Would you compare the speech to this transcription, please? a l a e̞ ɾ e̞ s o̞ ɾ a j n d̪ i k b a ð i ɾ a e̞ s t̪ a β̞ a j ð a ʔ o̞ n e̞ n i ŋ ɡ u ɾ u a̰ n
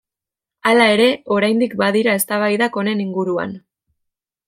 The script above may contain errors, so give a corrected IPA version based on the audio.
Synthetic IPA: a l a e̞ ɾ e̞ o̞ ɾ a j n d̪ i k b a ð i ɾ a e̞ s t̪ a β̞ a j ð a k o̞ n e̞ n i ŋ ɡ u ɾ u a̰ n